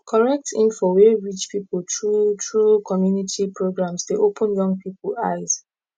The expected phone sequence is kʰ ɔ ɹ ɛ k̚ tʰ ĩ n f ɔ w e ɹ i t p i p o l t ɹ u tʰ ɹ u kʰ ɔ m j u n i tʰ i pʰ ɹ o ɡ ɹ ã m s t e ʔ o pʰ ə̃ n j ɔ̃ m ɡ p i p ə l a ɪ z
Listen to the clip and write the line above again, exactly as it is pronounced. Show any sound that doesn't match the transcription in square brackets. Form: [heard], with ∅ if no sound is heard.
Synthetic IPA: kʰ ɔ ɹ ɛ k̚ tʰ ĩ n f ɔ w e ɹ i [t͡ʃ] p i p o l t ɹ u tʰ ɹ u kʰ ɔ m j u n i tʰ i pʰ ɹ o ɡ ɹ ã m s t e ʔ o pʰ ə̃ n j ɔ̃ [ŋ] ɡ p i p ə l a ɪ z